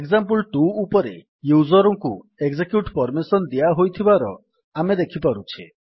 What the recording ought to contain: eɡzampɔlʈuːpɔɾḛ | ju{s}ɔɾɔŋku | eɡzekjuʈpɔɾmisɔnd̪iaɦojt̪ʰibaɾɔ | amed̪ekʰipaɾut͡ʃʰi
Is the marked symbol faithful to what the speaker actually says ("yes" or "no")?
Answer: no